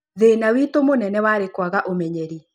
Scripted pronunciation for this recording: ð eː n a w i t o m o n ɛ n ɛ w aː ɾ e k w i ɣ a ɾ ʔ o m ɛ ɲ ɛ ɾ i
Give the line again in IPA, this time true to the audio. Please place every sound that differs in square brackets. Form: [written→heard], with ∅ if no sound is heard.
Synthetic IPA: ð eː n a w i t o m o n ɛ n ɛ w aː ɾ e k w [i→a] ɣ a [ɾ→∅] ʔ o m ɛ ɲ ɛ ɾ i